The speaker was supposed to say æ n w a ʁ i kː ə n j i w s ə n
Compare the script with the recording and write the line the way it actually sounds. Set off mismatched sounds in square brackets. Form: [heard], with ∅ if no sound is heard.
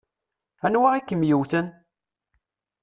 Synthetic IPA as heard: æ n w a ʁ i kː ə [m] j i w [θ] ə n